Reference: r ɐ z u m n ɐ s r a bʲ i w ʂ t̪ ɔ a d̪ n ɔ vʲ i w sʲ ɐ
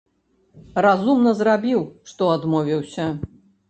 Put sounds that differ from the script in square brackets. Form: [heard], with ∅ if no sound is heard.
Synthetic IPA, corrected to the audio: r [a] z u m n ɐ [z] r a bʲ i w ʂ t̪ ɔ a d̪ [m] ɔ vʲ i w sʲ ɐ